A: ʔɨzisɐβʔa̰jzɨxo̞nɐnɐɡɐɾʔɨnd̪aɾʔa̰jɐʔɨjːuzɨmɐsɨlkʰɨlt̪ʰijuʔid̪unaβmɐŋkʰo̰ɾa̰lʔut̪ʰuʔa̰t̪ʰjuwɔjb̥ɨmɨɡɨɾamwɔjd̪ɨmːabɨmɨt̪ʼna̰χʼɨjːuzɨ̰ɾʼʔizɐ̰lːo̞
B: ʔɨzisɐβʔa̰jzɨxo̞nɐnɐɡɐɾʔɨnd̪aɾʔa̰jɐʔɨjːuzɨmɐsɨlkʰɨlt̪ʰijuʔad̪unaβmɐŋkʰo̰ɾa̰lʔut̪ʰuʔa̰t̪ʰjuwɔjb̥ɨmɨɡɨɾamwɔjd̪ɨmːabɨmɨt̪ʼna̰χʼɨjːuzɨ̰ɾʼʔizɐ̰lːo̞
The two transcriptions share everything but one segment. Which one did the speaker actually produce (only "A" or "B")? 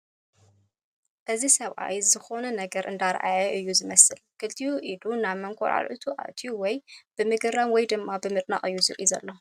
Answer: A